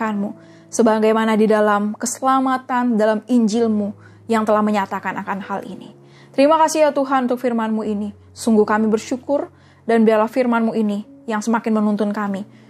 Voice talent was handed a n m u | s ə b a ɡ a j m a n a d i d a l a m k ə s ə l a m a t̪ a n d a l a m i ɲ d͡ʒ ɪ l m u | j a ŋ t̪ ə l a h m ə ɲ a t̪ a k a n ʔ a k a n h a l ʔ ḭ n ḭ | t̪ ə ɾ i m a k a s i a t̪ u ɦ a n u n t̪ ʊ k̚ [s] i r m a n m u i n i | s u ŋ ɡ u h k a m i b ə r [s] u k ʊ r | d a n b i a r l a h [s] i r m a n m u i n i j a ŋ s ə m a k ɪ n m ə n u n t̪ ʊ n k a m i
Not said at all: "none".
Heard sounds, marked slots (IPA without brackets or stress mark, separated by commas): f, ʃ, f